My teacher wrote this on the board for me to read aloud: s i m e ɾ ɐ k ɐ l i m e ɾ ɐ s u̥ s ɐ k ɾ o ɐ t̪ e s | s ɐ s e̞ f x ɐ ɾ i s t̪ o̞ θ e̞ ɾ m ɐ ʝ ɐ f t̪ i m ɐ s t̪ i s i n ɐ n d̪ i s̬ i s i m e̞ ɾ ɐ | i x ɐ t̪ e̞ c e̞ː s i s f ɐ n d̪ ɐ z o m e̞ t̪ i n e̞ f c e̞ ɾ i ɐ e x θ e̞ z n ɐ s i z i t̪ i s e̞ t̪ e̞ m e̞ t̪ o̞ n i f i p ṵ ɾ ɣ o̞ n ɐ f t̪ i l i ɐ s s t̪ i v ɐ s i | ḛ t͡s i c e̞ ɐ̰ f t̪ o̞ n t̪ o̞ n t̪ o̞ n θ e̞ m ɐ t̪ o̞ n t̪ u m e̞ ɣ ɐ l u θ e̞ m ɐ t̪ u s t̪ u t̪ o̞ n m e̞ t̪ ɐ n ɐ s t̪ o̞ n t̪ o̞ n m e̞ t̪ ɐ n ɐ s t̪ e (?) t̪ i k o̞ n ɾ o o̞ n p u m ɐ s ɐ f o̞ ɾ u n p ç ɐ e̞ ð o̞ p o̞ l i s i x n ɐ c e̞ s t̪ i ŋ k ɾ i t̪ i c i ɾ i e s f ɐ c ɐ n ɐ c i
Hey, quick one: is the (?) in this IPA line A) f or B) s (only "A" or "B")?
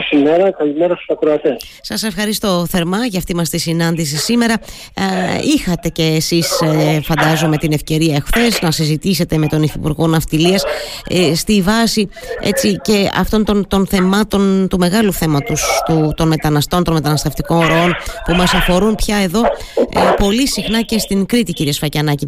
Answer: A